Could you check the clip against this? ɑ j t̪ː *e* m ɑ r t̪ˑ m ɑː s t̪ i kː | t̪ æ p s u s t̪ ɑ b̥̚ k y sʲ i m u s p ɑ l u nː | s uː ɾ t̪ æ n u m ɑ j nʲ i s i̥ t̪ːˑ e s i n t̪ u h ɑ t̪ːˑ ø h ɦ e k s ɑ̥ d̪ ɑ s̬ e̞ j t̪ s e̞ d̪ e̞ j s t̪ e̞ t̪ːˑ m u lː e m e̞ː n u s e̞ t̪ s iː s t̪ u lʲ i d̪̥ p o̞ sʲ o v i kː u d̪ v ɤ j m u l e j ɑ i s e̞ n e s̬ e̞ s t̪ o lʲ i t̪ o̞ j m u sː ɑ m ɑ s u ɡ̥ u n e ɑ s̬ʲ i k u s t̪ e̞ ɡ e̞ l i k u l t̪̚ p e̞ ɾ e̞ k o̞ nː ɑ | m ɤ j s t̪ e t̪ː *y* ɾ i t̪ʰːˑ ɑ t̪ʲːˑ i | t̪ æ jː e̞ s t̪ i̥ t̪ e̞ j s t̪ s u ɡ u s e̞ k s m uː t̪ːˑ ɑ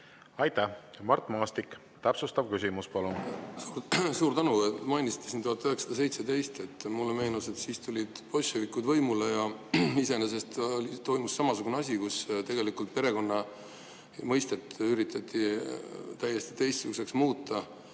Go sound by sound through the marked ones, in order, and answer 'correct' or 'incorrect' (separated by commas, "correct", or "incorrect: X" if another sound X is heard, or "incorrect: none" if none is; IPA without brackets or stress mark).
incorrect: æ, correct